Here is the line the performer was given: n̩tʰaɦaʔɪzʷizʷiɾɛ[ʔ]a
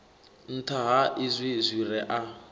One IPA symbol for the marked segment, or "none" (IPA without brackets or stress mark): ʔ